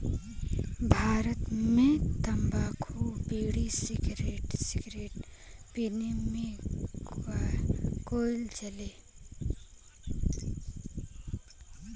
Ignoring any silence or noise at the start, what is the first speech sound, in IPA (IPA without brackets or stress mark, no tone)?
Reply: bʱ